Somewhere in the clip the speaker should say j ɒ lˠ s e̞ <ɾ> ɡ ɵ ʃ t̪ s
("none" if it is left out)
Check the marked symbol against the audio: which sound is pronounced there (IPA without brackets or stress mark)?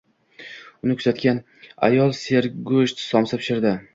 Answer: ɾ